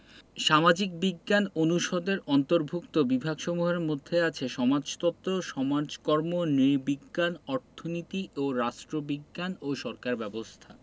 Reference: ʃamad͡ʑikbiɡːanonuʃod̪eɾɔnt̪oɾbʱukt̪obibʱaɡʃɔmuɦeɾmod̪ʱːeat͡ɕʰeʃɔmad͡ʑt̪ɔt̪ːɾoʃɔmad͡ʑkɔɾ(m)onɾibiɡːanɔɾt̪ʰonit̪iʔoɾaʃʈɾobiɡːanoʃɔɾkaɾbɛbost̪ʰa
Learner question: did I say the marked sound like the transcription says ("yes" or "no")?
yes